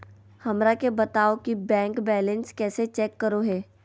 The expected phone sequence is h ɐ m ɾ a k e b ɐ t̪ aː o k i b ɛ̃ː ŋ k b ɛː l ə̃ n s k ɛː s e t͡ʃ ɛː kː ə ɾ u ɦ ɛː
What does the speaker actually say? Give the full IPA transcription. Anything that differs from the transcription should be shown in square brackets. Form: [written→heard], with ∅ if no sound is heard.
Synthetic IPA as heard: h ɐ m ɾ a k e b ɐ t̪ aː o k i b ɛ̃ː ŋ k b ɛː l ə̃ n s k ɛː s e t͡ʃ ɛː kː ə ɾ [u→o] ɦ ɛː

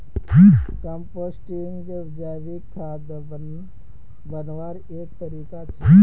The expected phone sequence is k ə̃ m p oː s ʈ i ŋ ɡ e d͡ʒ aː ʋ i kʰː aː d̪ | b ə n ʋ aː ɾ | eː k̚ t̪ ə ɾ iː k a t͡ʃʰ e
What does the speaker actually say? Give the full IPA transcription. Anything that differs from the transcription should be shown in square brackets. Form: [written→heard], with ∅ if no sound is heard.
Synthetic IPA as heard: k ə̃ m p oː s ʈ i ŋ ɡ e d͡ʒ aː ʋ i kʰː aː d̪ | b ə n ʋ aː ɾ | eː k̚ t̪ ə ɾ iː k a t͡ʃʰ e

